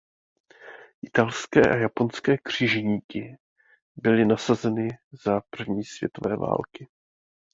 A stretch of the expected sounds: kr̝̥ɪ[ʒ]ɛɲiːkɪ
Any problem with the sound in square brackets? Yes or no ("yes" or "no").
no